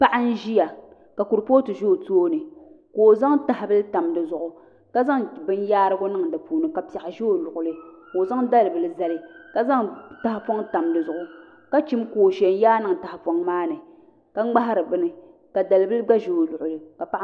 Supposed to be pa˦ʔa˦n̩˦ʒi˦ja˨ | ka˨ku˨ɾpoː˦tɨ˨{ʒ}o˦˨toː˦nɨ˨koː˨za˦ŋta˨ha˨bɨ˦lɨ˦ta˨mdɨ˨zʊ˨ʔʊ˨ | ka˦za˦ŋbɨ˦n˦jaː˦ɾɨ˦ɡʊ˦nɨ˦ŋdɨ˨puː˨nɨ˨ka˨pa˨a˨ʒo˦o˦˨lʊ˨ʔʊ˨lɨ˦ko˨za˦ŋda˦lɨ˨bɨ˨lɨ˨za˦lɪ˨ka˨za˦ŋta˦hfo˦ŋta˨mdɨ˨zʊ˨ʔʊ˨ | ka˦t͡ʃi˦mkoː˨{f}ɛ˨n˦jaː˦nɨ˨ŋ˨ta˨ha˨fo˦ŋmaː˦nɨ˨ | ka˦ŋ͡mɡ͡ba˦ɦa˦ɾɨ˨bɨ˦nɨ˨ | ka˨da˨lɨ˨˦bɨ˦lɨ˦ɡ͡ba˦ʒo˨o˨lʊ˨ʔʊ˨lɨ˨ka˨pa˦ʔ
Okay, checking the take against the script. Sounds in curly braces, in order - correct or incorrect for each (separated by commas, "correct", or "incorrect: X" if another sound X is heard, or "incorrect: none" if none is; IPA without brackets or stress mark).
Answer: correct, incorrect: ʃ